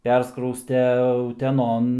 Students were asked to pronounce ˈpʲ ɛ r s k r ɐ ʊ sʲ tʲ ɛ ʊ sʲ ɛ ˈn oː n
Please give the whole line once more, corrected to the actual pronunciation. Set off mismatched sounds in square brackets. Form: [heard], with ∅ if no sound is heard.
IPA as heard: ˈpʲ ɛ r s k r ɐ ʊ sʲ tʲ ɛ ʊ [tʲ] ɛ ˈn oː n